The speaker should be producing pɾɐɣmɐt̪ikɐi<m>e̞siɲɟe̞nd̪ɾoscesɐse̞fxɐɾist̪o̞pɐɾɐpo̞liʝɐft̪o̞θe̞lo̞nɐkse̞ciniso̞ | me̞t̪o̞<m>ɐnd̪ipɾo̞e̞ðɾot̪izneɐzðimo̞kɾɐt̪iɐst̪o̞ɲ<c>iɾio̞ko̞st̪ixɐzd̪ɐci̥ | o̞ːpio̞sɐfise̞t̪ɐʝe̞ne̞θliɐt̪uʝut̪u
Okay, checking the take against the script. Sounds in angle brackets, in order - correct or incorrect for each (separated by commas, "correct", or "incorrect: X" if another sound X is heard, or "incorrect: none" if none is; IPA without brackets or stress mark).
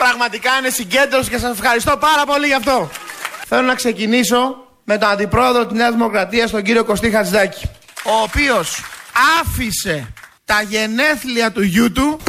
incorrect: n, incorrect: n, incorrect: ɟ